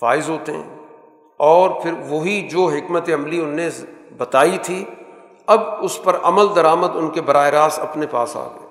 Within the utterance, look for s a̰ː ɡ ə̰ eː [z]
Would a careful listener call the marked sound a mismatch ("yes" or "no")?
yes